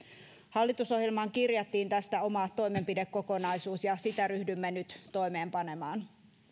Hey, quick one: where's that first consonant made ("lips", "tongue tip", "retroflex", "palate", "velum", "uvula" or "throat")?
throat